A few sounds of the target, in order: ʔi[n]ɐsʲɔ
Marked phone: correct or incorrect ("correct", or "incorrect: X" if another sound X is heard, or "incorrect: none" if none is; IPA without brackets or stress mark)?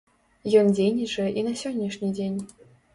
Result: correct